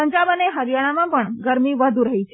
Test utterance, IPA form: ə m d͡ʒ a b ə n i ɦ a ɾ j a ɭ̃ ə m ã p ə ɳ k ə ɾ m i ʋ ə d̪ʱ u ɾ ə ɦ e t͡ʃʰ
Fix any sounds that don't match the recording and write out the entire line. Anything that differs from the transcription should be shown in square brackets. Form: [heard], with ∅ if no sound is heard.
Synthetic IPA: ə [ɲ] d͡ʒ a b ə n [e] ɦ [ə] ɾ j a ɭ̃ [a] m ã p ə ɳ [ɡ] ə ɾ m i ʋ ə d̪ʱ u ɾ ə ɦ [i] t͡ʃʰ